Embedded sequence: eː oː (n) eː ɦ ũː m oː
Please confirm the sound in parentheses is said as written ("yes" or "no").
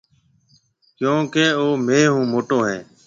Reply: no